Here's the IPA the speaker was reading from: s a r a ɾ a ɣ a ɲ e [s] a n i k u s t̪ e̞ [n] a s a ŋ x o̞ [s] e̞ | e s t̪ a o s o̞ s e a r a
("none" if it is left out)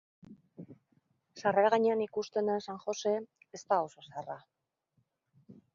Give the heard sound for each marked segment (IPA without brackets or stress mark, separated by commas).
none, n, s